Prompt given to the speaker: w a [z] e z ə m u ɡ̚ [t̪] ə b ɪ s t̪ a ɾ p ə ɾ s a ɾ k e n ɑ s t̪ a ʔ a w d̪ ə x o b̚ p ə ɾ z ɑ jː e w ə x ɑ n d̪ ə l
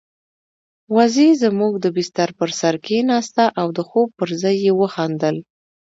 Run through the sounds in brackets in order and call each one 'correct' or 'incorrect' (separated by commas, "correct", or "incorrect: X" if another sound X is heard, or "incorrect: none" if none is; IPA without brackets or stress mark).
correct, incorrect: d̪